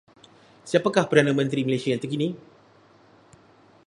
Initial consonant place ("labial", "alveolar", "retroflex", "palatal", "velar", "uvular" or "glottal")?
alveolar